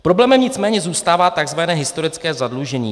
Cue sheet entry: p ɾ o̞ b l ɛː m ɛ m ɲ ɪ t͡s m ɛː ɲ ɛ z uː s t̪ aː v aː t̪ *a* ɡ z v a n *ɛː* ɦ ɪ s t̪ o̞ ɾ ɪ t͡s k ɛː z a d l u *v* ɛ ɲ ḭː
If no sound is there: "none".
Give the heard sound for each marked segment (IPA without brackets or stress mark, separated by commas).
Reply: a, ɛː, ʒ